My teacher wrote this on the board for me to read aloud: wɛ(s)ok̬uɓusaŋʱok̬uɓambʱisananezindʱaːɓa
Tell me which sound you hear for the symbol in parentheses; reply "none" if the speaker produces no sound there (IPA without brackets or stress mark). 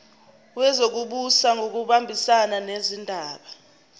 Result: z